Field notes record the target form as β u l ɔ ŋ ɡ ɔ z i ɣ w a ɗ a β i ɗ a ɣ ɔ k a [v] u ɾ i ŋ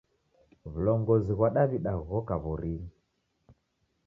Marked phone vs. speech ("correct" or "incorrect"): incorrect